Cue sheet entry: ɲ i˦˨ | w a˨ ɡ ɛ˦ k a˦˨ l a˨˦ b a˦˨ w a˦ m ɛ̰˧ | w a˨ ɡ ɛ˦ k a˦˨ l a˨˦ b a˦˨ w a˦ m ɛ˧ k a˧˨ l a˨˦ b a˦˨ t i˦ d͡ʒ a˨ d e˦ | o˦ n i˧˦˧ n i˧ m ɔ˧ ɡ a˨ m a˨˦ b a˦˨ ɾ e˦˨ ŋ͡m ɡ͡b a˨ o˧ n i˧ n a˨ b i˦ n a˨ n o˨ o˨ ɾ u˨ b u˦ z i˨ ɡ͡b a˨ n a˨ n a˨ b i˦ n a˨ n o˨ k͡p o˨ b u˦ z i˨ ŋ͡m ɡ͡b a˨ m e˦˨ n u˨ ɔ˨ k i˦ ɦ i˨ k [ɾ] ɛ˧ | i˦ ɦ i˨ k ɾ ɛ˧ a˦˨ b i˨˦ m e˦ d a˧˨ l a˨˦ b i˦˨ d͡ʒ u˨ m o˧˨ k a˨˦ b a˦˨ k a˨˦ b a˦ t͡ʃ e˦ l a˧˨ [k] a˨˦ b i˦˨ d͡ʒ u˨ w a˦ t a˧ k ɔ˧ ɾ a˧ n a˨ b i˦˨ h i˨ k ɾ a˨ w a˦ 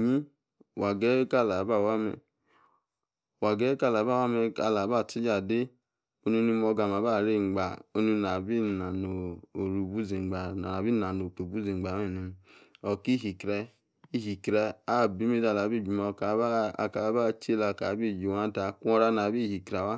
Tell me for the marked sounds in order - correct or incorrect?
correct, correct

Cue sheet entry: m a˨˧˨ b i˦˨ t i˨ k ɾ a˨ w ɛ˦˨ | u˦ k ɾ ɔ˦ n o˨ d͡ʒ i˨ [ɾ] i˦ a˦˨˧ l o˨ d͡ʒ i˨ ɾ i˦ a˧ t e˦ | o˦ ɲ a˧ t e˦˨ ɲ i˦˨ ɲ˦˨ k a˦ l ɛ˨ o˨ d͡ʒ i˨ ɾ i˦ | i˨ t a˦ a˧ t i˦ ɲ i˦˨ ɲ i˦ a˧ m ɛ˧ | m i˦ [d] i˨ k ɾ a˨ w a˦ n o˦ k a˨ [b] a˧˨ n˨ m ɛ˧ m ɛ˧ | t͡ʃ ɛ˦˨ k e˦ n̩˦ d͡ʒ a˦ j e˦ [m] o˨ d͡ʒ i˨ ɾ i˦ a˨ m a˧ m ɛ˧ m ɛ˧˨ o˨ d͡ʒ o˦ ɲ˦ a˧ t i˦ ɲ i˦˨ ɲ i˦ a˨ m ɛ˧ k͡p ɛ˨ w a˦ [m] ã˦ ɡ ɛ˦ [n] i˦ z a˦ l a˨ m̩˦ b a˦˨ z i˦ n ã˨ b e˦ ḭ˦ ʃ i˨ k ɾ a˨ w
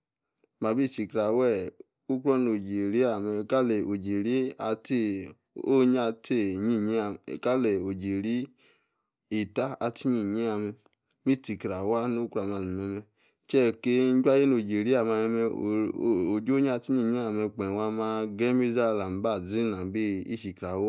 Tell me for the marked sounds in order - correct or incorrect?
correct, incorrect, incorrect, incorrect, correct, incorrect

